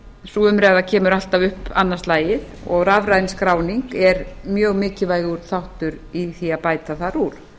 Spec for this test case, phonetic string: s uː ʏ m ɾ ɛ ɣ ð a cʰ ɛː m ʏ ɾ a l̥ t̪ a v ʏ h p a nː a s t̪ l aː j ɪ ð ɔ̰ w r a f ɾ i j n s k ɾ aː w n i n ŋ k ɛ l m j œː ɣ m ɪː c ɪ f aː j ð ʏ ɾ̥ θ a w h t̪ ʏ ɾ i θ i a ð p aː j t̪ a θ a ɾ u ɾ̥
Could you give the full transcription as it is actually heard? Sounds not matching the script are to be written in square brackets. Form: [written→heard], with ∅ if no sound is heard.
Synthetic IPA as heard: s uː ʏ m ɾ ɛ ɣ ð a cʰ ɛː m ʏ ɾ a l̥ t̪ a v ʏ h p a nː a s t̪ l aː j ɪ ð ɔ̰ [w→ɣ] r a [f→v] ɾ [i→a] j n s k ɾ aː w n i [n→∅] ŋ k ɛ [l→ɾ] m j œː ɣ m ɪː c ɪ [f→v] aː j [ð→ɣ] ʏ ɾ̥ θ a w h t̪ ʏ ɾ i θ i a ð p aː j t̪ a θ a ɾ u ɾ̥